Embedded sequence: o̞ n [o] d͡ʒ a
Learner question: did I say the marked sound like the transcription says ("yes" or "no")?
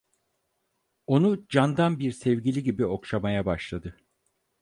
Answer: no